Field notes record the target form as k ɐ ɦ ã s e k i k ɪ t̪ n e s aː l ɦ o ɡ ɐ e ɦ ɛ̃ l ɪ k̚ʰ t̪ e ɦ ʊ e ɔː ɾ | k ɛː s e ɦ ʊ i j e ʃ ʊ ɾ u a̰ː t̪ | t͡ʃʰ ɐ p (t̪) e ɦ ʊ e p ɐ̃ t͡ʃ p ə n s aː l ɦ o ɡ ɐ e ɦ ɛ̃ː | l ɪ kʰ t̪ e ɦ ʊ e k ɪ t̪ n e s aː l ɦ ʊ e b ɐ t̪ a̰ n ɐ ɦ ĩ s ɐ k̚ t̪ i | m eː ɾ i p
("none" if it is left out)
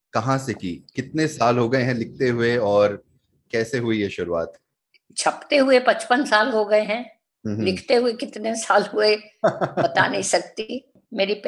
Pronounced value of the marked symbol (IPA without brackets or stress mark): t̪